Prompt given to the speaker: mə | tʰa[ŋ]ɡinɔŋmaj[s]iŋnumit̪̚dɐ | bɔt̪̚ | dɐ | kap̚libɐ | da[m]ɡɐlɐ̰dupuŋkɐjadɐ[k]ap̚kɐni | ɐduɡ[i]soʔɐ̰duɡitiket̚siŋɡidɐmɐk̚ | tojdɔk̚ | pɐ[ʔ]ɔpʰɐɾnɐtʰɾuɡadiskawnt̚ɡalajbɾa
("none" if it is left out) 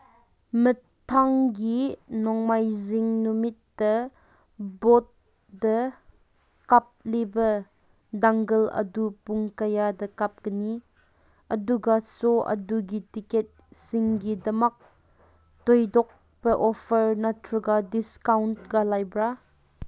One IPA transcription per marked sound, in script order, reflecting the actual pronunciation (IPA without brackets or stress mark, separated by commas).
ŋ, z, ŋ, k, a, ʔ